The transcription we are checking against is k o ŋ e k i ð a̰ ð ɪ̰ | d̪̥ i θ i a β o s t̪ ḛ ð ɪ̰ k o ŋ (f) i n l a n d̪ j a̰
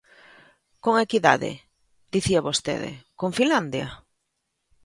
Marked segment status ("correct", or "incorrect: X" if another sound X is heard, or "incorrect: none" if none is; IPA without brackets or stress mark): correct